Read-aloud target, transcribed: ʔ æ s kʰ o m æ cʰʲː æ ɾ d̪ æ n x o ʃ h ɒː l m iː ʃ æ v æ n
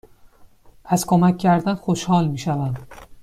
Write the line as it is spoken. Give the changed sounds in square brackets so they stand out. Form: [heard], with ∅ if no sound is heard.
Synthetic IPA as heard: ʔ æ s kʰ o m æ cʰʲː æ ɾ d̪ æ n x o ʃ h ɒː l m iː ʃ æ v æ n